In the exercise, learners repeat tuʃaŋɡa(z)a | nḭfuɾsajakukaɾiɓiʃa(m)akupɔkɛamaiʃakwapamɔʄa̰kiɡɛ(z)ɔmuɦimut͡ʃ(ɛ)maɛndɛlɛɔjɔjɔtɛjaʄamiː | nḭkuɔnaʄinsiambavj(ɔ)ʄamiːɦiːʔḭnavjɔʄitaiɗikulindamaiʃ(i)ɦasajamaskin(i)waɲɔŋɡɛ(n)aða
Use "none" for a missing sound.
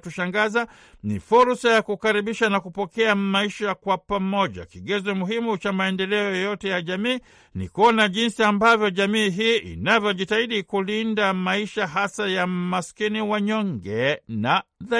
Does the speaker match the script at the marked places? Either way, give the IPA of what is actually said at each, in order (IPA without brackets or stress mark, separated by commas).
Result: z, n, z, a, ɔ, a, i, n